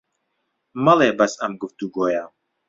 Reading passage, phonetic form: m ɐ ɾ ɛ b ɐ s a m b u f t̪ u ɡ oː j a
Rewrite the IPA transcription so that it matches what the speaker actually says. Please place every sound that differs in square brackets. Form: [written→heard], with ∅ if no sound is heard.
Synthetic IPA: m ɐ [ɾ→l] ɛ b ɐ s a m [b→ɡ] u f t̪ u ɡ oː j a